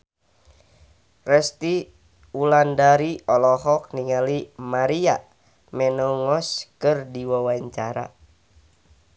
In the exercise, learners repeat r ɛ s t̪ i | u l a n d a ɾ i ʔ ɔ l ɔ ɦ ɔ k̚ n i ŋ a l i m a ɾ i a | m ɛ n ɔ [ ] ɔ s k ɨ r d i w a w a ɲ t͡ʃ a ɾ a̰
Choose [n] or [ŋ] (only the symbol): ŋ